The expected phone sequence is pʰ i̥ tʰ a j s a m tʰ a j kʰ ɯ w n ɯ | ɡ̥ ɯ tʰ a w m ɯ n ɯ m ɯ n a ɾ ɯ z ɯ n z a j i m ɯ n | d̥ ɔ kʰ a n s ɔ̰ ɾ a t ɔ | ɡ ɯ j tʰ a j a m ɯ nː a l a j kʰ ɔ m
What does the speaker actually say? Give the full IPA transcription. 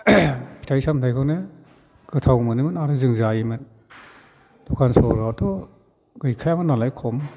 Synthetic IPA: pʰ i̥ tʰ a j s a m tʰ a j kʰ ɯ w n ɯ | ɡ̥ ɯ tʰ a w m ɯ n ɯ m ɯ n a ɾ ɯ z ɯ ŋ z a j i m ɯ n | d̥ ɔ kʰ a n s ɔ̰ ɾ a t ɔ | ɡ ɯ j kʰ a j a m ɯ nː a l a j kʰ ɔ m